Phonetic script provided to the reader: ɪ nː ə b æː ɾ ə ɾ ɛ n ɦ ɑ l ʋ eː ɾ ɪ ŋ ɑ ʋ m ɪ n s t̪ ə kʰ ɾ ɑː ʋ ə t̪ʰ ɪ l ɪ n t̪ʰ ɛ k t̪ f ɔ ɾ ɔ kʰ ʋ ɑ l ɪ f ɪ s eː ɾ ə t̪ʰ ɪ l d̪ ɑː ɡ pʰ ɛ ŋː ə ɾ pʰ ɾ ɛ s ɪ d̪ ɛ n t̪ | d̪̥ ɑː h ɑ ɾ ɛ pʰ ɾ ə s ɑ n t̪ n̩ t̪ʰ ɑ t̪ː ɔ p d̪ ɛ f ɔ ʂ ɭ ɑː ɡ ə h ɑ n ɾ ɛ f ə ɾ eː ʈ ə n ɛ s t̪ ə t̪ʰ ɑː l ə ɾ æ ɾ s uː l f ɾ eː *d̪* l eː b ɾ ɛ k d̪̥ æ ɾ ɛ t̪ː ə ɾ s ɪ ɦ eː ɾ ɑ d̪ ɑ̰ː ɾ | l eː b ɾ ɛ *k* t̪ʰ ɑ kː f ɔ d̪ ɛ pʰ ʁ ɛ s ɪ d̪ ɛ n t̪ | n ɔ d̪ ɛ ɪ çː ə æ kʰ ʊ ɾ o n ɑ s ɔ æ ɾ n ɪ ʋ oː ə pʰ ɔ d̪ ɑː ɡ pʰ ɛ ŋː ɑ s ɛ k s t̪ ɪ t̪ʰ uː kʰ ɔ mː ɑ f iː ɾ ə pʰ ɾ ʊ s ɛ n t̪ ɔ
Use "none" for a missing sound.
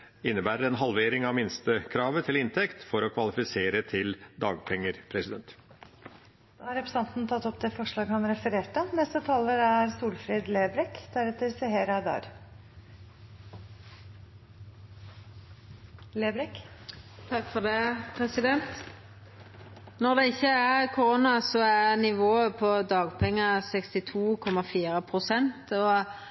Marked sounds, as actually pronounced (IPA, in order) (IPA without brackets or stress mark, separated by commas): d̪, k